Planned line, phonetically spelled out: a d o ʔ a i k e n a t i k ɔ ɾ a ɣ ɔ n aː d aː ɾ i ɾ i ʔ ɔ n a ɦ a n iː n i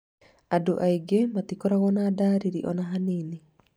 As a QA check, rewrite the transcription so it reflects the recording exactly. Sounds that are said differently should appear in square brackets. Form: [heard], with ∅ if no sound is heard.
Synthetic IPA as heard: a d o ʔ a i [ɡ] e [m] a t i k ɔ ɾ a ɣ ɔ n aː d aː ɾ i ɾ i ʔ ɔ n a ɦ a n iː n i